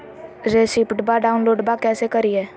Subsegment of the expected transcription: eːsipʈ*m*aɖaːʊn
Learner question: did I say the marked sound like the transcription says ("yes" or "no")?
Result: no